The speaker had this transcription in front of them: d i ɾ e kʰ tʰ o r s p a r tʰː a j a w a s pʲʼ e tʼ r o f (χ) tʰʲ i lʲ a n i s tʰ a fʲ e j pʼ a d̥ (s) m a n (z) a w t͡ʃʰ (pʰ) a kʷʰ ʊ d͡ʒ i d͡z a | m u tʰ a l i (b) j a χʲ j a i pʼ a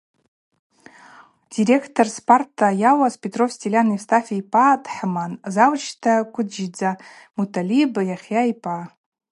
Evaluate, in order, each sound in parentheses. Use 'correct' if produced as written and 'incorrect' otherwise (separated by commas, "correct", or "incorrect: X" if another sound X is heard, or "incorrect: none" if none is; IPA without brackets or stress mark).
incorrect: s, incorrect: ħ, correct, incorrect: tʰ, correct